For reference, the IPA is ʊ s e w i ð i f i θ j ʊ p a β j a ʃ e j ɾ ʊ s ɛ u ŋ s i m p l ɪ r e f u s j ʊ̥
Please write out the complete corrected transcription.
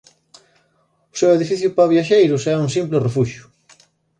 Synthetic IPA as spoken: ʊ s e w e ð i f i θ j ʊ p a β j a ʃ e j ɾ ʊ s ɛ u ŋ s i m p l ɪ r e f u ʃ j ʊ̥